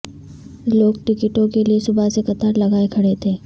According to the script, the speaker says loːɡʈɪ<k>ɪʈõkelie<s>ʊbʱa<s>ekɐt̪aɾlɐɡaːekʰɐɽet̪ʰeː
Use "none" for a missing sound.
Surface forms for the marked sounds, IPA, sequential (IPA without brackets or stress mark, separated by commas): k, s, s